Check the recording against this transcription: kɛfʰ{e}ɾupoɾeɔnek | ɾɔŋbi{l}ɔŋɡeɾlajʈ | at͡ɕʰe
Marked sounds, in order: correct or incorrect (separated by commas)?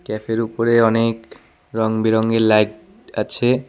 correct, incorrect